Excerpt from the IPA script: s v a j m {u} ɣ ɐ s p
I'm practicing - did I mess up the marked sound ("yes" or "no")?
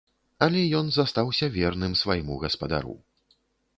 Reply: no